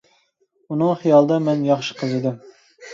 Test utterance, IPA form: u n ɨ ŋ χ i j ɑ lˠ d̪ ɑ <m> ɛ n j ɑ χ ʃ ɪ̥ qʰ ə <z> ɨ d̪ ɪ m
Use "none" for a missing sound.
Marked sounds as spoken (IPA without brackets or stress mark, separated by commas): m, z